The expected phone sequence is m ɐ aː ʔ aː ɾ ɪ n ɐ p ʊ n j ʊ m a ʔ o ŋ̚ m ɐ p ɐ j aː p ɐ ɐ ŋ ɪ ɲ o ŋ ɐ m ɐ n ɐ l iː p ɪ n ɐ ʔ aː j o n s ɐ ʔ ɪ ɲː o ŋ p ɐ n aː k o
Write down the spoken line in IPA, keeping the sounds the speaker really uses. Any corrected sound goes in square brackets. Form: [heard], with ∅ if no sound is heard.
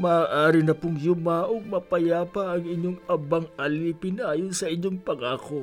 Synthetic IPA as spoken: m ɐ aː ʔ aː ɾ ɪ n ɐ p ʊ [ŋ] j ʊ m a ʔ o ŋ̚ m ɐ p ɐ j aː p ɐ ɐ ŋ ɪ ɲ o ŋ ɐ [b] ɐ [ŋ] ɐ l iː p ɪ n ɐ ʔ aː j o n s ɐ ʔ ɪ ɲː o ŋ p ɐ [ŋ] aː k o